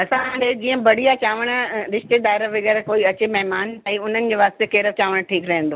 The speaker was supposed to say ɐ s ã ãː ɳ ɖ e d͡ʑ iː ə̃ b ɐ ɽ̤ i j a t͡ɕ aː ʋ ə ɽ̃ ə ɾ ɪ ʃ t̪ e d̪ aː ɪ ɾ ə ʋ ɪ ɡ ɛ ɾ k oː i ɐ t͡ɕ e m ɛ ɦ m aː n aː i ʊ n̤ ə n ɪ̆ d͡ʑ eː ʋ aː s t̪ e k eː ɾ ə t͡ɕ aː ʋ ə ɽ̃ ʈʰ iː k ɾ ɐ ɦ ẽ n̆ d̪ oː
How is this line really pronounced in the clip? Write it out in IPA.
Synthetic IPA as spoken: ɐ s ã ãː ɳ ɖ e d͡ʑ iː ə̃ b ɐ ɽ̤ i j a t͡ɕ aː ʋ ə ɽ̃ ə ɾ ɪ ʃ t̪ e d̪ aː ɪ ɾ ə ʋ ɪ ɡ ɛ ɾ k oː i ɐ t͡ɕ e m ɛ ɦ m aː n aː i ʊ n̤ ə n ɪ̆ d͡ʑ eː ʋ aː s t̪ e k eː ɾ ə t͡ɕ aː ʋ ə ɽ̃ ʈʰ iː k ɾ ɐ ɦ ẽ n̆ d̪ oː